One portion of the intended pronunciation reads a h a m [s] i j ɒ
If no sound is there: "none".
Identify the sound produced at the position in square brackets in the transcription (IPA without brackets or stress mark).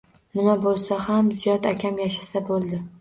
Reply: z